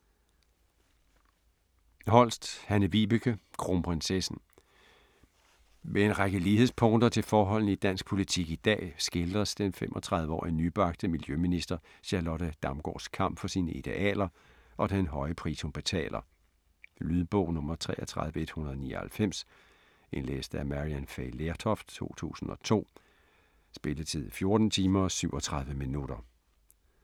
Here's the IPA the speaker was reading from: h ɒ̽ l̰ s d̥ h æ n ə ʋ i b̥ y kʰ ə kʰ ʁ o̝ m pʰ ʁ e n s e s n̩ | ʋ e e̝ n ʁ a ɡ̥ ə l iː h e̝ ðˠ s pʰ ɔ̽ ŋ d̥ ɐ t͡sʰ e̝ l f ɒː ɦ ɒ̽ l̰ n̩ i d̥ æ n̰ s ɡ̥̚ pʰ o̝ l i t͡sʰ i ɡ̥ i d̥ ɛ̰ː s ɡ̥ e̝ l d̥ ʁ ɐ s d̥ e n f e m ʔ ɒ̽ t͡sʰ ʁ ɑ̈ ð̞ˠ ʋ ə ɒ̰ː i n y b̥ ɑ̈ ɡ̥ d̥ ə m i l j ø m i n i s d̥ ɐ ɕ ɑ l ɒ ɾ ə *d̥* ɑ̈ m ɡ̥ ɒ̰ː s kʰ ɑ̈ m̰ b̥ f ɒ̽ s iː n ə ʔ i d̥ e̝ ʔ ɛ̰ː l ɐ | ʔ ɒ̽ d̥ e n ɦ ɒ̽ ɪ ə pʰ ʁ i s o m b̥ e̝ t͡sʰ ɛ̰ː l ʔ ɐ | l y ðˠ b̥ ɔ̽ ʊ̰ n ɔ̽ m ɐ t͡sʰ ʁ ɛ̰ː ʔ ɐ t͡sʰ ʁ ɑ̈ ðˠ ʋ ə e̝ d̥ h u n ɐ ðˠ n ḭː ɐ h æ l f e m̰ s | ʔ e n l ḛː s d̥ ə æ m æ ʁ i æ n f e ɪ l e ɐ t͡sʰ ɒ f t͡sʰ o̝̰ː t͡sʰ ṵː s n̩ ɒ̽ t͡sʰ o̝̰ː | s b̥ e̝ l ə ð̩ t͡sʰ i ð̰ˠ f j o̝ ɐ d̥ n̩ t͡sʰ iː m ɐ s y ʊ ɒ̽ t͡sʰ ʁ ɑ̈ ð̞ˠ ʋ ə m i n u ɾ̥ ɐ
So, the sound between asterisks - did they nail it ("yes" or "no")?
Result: yes